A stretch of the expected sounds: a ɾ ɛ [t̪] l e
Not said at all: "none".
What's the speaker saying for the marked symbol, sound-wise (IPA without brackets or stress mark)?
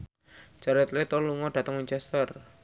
t̪